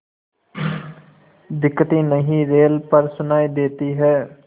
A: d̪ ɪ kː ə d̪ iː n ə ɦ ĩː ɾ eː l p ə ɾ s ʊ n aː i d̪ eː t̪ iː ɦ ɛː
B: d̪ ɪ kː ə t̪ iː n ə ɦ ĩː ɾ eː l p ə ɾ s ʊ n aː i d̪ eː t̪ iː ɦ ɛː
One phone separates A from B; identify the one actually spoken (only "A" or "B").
B